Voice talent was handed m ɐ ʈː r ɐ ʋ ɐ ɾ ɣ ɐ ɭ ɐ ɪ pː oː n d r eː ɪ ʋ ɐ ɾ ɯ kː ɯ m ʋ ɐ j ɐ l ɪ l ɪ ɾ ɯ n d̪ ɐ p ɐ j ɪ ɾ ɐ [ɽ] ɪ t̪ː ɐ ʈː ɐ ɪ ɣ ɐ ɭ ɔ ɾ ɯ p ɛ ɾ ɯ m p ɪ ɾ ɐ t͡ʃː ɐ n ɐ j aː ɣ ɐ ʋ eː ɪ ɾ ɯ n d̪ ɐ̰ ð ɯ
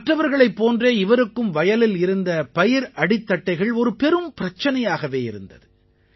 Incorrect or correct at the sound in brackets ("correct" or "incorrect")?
correct